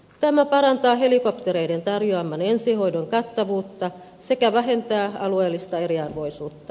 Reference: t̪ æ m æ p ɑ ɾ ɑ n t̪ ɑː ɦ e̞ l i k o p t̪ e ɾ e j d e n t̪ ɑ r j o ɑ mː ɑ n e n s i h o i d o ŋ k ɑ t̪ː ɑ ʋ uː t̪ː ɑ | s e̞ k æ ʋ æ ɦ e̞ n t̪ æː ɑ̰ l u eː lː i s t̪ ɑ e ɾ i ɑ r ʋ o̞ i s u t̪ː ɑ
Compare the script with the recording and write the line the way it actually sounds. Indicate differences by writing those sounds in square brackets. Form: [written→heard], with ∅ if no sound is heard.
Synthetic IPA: t̪ æ m æ p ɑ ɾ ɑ n t̪ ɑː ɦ e̞ l i k o p t̪ e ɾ e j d e n t̪ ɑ r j o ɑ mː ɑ n e n s i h o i d o ŋ k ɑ t̪ː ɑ ʋ uː t̪ː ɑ | s e̞ k æ ʋ æ ɦ e̞ n t̪ æː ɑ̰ l u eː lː i s t̪ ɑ e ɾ i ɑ r ʋ o̞ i s [u→uː] t̪ː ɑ